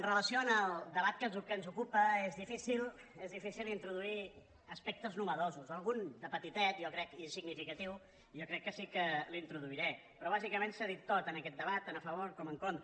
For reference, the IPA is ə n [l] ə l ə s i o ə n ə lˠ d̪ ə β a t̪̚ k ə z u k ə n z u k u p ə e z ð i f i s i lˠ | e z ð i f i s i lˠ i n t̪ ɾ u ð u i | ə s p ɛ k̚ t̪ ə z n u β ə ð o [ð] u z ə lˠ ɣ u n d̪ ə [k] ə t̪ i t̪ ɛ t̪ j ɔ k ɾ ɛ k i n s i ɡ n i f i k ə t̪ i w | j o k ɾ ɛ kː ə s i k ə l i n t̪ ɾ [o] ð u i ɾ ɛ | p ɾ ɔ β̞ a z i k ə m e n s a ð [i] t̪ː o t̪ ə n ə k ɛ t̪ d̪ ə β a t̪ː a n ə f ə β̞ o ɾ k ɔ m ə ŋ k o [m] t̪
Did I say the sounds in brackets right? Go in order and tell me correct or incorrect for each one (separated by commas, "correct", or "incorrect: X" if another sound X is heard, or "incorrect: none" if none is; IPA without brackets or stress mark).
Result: incorrect: r, incorrect: z, incorrect: p, incorrect: u, correct, incorrect: n